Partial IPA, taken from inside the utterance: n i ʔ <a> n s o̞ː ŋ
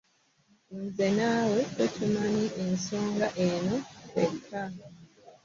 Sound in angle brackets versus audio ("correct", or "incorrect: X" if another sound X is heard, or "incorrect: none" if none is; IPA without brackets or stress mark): incorrect: e